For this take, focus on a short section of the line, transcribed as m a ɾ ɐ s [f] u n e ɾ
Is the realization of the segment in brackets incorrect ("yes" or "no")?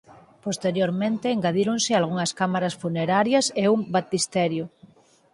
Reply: no